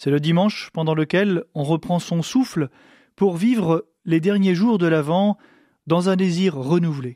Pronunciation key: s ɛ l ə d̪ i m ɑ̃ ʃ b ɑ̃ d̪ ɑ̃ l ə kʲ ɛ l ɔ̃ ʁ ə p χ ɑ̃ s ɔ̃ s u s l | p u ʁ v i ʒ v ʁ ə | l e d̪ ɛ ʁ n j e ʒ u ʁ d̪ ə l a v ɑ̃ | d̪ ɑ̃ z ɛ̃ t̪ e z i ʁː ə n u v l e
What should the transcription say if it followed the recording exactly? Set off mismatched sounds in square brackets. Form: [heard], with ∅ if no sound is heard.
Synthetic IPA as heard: s ɛ l ə d̪ i m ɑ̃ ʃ [p] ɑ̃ d̪ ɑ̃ l ə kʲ ɛ l ɔ̃ ʁ ə p χ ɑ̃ s ɔ̃ s u [f] l | p u ʁ v i [∅] v ʁ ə | l e d̪ ɛ ʁ n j e ʒ u ʁ d̪ ə l a v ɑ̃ | d̪ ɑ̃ z ɛ̃ [d̪] e z i ʁː ə n u v l e